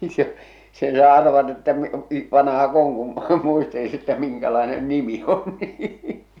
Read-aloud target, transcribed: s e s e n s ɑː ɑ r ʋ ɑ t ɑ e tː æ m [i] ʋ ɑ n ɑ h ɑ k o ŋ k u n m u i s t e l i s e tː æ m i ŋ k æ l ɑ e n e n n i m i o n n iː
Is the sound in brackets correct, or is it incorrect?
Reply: correct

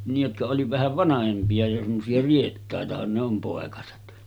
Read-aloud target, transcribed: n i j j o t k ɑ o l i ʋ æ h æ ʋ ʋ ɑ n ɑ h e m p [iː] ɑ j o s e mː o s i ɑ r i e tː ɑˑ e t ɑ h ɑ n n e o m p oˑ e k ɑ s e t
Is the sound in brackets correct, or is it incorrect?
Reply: incorrect: i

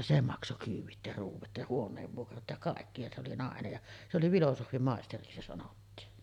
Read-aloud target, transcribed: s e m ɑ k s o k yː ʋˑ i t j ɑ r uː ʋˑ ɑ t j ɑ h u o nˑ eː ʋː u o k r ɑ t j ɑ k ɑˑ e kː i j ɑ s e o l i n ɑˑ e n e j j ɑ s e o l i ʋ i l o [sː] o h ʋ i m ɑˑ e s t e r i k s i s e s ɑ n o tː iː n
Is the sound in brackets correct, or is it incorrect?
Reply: incorrect: s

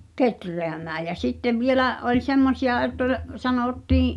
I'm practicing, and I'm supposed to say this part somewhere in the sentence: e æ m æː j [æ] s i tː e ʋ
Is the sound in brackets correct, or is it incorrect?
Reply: correct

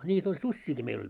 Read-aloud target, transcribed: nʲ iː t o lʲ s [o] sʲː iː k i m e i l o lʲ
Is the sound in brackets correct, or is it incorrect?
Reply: incorrect: u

